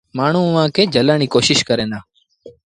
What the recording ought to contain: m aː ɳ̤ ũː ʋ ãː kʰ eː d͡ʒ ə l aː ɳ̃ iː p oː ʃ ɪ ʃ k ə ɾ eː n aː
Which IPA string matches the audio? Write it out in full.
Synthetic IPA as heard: m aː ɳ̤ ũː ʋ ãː k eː d͡ʒ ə l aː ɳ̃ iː k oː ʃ ɪ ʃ k ə ɾ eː n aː

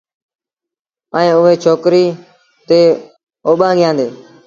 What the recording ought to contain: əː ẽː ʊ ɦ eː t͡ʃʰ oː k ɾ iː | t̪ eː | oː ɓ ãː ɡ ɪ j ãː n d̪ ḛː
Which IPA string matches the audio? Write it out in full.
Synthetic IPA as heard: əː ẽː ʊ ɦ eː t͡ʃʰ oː k ɾ iː | t̪ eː | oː ɓ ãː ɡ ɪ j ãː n d̪ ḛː

